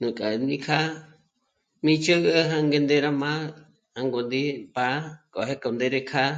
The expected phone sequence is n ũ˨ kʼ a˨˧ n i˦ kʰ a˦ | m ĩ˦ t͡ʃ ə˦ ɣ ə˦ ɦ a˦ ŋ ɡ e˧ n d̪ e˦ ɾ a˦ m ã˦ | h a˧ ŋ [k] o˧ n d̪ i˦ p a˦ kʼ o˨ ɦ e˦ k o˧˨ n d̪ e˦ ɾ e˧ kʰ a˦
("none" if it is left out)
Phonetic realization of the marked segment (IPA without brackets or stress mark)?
ɡ